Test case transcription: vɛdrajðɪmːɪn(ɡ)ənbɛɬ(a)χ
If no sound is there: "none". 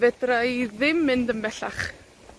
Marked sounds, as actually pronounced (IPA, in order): d, a

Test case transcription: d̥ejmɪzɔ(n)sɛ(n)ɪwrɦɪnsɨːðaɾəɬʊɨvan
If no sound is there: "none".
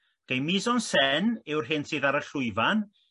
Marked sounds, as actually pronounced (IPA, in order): n, n

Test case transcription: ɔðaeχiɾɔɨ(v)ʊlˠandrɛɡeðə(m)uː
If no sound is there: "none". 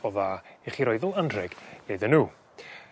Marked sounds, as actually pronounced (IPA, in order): ð, n

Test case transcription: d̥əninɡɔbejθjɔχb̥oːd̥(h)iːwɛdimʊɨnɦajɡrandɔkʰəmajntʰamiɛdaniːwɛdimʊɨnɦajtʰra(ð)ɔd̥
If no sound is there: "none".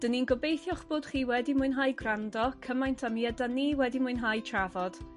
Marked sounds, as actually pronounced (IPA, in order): χ, v

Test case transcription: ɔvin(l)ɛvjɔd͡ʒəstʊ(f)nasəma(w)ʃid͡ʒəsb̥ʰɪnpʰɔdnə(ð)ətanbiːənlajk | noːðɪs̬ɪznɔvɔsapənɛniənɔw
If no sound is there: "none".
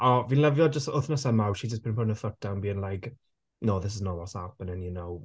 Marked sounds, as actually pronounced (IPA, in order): l, θ, w, θ

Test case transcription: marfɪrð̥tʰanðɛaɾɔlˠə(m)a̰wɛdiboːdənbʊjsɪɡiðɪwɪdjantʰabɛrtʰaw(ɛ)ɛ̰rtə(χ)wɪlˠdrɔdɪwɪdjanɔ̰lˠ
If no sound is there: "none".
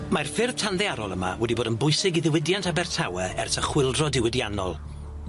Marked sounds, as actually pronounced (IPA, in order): m, ɛ, χ

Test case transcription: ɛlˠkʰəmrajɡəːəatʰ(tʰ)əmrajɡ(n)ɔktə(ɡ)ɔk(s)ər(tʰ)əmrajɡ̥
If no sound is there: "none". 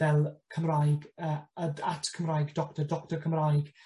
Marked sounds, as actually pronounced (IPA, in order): kʰ, d, d, t, kʰ

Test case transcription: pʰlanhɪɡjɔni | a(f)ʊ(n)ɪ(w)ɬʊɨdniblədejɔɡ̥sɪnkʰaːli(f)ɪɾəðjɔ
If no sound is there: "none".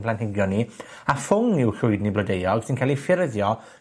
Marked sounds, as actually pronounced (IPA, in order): f, ŋ, w, f

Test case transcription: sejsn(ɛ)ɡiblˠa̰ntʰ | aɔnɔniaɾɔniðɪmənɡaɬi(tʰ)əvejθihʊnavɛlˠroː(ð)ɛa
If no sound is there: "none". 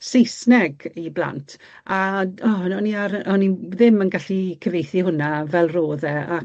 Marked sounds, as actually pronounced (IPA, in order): ɛ, kʰ, ð

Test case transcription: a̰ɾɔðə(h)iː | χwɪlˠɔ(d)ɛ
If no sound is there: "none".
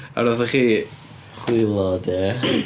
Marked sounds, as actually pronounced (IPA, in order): χ, d

